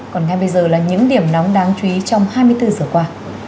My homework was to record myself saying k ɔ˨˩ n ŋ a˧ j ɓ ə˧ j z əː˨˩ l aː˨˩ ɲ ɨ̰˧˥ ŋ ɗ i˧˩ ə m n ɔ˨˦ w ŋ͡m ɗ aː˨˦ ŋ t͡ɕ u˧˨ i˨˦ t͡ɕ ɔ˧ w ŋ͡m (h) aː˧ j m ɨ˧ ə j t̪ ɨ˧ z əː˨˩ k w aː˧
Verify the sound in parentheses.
correct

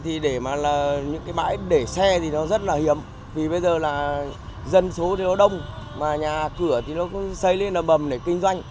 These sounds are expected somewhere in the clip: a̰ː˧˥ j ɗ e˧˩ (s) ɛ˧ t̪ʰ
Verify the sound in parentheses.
correct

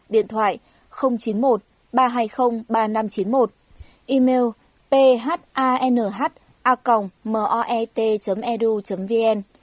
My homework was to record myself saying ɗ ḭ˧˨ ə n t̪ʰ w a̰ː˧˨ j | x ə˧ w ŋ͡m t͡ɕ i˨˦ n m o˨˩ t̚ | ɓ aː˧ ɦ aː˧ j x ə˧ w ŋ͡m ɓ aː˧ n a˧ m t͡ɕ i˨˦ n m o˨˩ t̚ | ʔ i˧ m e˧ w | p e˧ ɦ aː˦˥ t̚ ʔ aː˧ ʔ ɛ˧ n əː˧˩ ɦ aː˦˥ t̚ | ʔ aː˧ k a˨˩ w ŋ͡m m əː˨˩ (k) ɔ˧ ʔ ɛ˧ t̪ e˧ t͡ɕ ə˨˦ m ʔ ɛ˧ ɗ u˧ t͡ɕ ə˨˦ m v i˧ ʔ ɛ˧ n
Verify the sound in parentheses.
incorrect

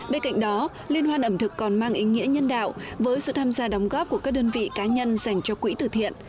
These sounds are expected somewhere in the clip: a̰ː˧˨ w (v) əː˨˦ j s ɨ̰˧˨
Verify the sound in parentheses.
correct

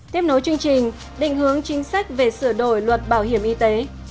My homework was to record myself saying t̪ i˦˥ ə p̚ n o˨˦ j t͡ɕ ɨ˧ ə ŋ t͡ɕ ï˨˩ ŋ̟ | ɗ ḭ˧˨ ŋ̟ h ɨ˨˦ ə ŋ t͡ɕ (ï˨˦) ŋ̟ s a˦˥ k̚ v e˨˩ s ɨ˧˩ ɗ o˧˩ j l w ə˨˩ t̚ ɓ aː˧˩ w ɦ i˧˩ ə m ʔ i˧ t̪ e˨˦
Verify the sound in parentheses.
correct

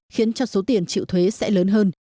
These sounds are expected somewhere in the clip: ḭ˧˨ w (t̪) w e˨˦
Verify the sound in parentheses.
incorrect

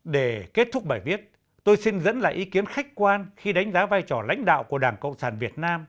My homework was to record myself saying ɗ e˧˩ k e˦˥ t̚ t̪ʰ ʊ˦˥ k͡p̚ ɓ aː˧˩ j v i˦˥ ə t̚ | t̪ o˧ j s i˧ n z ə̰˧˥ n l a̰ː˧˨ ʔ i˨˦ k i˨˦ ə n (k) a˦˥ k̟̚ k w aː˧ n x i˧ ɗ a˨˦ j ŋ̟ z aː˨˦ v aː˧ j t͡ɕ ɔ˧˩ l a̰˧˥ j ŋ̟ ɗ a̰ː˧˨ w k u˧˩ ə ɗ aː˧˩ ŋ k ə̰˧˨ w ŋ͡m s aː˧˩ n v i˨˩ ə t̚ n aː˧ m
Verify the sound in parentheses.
incorrect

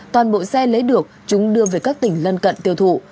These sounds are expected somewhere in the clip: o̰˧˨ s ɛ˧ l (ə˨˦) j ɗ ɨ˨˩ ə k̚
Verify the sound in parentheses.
correct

